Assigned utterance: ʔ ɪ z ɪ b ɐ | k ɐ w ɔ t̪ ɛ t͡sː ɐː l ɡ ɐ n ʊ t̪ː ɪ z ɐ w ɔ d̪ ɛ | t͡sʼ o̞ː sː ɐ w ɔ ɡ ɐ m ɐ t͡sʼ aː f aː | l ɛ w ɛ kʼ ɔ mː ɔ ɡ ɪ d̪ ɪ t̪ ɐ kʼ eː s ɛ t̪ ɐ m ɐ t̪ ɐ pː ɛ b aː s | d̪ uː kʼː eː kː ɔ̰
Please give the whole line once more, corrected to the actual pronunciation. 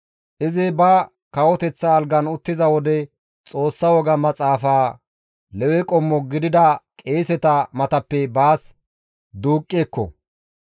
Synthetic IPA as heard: ʔ ɪ z ɪ b ɐ | k ɐ w ɔ t̪ ɛ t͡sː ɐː l ɡ ɐ n ʊ t̪ː ɪ z ɐ w ɔ d̪ ɛ | t͡sʼ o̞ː sː ɐ w ɔ ɡ ɐ m ɐ t͡sʼ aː f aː | l ɛ w ɛ kʼ ɔ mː ɔ ɡ ɪ d̪ ɪ d̪ ɐ kʼ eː s ɛ t̪ ɐ m ɐ t̪ ɐ pː ɛ b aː s | d̪ uː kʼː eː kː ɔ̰